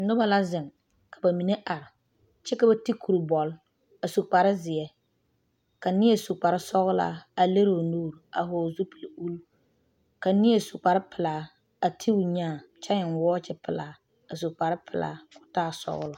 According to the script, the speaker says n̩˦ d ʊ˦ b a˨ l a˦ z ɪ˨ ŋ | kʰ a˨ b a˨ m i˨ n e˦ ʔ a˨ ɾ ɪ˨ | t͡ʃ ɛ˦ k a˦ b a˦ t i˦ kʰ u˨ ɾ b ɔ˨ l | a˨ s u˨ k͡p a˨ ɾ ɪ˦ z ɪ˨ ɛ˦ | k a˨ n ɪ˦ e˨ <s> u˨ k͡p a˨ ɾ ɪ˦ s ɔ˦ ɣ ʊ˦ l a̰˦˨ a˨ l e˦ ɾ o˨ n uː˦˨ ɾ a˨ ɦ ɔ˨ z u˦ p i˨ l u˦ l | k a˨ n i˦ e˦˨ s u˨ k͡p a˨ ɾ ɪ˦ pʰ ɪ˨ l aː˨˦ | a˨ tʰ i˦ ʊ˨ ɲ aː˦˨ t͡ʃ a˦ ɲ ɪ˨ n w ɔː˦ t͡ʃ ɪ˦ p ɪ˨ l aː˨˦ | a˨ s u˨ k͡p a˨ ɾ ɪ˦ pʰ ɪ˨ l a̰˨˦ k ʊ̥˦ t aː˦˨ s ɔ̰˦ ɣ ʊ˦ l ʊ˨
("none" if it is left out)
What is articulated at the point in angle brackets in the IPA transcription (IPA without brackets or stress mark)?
s